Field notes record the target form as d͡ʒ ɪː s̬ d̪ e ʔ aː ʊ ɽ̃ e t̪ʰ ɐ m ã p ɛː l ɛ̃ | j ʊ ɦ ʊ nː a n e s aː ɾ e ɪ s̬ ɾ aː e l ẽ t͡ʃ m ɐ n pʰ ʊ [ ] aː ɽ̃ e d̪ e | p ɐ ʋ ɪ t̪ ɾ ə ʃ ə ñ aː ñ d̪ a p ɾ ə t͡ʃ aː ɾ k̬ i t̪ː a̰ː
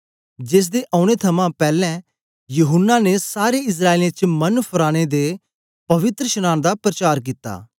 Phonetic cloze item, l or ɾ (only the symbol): ɾ